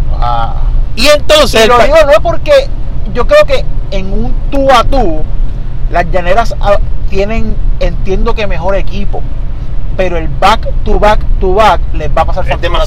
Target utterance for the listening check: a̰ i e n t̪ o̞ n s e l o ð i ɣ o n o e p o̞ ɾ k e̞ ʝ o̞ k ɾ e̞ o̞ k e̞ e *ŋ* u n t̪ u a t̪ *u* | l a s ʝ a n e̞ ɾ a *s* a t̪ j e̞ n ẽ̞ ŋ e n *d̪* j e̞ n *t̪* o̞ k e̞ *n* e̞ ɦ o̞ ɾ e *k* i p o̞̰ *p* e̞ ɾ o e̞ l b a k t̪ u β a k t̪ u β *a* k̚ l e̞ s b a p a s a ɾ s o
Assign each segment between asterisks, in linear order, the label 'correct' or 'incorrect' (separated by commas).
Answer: correct, correct, correct, incorrect, incorrect, incorrect, correct, correct, correct